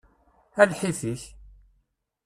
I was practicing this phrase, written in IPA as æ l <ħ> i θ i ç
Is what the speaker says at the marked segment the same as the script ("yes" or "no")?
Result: yes